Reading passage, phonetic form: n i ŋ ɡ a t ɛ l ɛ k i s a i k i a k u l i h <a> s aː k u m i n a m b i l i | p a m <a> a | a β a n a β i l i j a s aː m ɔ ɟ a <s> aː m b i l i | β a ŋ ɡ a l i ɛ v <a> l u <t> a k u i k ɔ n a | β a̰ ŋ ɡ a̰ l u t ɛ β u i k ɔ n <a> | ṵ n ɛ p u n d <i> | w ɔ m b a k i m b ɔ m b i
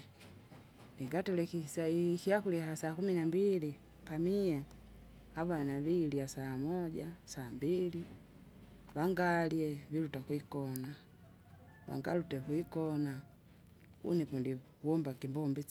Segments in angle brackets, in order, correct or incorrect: correct, incorrect, correct, incorrect, correct, correct, correct

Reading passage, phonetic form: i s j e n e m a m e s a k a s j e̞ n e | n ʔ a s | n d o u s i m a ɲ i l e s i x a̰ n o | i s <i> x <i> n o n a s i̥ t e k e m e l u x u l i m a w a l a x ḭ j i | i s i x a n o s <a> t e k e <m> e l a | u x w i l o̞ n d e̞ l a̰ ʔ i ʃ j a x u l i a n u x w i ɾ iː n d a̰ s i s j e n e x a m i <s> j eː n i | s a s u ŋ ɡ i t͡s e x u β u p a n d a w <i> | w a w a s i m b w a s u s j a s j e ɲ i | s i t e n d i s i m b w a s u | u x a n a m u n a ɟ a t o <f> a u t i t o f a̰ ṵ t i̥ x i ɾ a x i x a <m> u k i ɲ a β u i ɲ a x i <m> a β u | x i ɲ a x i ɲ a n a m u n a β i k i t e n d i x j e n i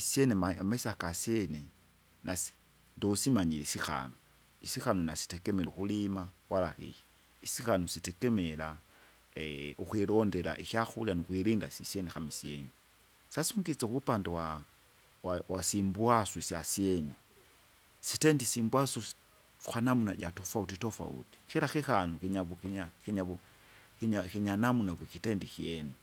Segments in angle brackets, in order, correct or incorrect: correct, incorrect, incorrect, correct, correct, incorrect, correct, incorrect, incorrect

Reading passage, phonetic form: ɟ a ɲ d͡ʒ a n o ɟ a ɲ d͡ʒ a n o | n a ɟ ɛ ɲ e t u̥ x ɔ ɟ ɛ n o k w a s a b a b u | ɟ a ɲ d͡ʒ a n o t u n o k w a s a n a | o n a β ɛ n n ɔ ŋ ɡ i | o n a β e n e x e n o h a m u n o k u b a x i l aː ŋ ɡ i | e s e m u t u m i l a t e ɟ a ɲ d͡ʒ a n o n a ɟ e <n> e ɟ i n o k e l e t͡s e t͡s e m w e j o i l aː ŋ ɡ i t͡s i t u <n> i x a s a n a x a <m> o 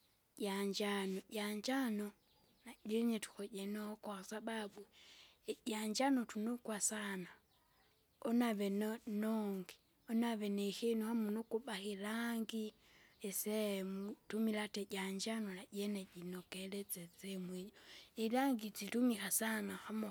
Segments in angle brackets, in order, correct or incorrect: correct, incorrect, correct

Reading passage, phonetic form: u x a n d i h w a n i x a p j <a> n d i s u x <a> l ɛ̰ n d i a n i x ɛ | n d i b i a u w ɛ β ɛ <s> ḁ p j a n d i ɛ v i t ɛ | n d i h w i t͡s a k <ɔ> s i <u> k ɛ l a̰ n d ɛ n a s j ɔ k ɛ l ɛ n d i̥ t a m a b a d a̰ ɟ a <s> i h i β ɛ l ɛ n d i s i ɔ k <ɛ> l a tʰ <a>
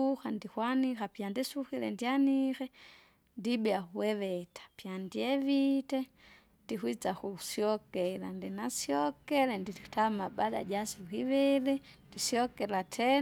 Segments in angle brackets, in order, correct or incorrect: correct, incorrect, incorrect, incorrect, incorrect, correct, correct, incorrect

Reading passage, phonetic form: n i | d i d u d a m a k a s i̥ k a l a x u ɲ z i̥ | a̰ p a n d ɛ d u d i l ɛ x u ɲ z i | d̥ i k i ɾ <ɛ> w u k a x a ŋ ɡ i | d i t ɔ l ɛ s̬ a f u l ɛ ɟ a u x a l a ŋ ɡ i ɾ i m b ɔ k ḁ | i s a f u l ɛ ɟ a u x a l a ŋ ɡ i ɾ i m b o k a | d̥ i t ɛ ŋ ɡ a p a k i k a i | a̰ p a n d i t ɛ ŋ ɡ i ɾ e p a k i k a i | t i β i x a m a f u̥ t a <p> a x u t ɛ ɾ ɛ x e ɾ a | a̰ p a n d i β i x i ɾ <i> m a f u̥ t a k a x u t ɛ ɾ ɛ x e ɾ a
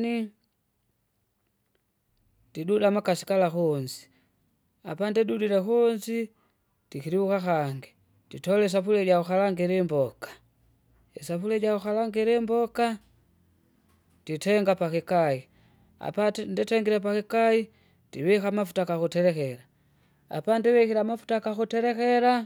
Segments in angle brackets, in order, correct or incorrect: incorrect, incorrect, incorrect

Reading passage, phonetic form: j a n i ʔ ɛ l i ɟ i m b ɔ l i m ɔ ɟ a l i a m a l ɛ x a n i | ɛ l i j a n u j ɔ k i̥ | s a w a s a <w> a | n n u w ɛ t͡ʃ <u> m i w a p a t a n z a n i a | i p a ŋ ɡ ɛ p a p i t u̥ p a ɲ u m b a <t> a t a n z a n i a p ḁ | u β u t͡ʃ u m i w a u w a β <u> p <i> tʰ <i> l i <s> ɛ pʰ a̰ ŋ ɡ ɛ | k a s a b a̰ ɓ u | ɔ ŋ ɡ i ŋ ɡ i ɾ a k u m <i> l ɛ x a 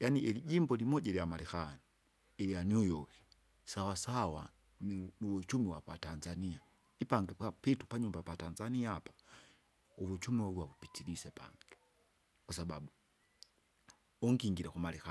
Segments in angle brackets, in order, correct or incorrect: correct, correct, incorrect, correct, correct, correct, correct, incorrect

